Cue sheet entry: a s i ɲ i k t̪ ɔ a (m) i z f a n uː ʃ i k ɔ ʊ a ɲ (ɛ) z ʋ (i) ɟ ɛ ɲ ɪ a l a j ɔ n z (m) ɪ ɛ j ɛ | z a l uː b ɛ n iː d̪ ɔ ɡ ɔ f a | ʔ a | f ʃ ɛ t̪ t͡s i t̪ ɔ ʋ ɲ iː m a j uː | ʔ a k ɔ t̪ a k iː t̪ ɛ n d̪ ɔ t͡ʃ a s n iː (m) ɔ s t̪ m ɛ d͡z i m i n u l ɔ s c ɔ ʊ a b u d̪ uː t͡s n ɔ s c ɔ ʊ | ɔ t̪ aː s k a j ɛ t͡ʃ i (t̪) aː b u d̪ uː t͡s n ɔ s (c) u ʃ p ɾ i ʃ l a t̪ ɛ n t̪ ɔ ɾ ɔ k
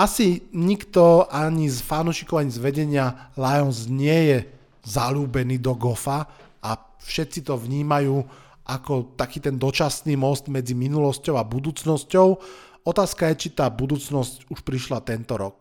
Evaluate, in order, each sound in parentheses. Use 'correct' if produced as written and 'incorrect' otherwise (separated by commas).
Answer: incorrect, incorrect, incorrect, incorrect, correct, correct, correct